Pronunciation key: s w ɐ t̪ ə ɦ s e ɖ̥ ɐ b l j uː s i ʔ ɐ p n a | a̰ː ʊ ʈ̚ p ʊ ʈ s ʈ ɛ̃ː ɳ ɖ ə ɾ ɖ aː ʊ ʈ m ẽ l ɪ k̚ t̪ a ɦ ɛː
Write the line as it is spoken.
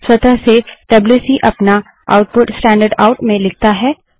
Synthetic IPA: s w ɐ t̪ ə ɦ s e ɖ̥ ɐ b l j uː s i ʔ ɐ p n a | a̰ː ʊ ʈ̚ p ʊ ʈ s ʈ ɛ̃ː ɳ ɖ ə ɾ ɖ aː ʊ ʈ m ẽ l ɪ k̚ t̪ a ɦ ɛː